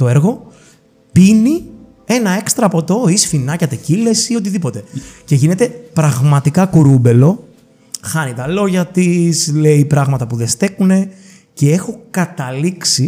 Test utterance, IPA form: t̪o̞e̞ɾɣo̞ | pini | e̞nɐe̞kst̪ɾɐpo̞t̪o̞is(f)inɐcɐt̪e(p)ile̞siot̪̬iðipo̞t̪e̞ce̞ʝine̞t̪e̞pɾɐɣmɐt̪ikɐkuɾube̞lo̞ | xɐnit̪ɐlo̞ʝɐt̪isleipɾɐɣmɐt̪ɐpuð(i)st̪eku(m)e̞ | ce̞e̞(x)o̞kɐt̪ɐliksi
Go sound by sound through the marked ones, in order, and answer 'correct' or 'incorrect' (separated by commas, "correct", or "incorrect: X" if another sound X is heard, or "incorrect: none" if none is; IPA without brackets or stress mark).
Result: correct, incorrect: c, incorrect: e, incorrect: n, correct